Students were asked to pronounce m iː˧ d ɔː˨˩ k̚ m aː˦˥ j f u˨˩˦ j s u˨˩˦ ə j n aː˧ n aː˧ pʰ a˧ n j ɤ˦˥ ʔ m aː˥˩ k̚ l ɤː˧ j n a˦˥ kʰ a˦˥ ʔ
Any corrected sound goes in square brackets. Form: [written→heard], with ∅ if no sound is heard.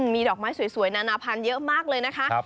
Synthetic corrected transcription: m iː˧ d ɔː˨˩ k̚ m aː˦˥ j [f→s] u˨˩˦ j s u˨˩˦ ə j n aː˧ n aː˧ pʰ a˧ n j ɤ˦˥ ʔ m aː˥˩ k̚ l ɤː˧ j n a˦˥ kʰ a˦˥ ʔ